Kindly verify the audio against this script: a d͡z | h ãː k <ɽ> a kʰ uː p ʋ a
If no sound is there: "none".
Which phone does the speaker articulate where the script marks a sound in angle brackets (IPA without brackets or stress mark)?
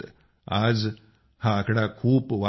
ɽ